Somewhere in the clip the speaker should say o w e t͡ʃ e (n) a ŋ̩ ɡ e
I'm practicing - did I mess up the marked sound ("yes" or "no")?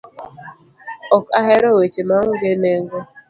yes